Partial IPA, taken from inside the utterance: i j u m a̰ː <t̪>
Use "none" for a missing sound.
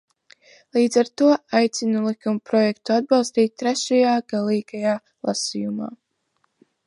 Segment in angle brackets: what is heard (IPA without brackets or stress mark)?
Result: none